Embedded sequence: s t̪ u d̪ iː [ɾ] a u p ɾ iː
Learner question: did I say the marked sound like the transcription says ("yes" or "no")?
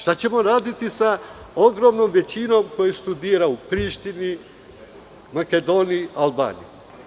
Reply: yes